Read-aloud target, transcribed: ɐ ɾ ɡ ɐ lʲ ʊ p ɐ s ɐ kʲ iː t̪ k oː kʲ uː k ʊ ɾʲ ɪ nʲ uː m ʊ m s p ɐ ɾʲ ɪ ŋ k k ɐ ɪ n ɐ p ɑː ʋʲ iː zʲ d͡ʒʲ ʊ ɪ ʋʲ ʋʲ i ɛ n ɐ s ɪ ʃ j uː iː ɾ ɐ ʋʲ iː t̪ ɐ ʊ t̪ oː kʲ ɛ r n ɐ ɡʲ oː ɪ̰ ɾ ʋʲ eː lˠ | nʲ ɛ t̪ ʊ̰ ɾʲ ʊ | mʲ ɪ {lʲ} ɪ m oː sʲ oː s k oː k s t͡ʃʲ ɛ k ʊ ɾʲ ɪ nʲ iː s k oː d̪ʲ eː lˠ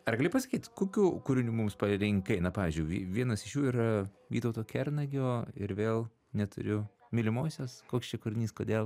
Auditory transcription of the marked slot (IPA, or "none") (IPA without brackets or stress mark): lʲ